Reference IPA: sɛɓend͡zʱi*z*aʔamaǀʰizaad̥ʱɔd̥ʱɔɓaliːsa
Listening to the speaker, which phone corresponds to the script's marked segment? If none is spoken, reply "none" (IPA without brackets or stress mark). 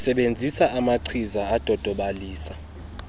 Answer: s